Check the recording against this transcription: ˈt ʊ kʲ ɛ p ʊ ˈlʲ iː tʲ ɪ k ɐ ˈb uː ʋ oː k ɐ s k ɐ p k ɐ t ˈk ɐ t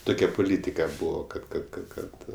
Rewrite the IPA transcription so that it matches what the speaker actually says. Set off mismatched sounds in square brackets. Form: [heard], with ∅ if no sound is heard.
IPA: ˈt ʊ kʲ ɛ p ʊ ˈlʲ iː tʲ ɪ k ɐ ˈb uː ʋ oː k ɐ [t] k ɐ [t] k ɐ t ˈk ɐ t